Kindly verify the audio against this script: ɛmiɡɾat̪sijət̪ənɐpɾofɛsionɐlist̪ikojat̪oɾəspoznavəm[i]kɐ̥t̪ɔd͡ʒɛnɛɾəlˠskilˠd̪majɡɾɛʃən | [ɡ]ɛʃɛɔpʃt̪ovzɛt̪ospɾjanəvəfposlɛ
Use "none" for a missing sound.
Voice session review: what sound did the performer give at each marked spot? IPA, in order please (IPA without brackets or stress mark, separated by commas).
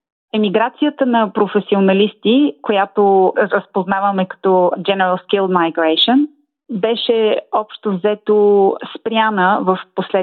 ɛ, b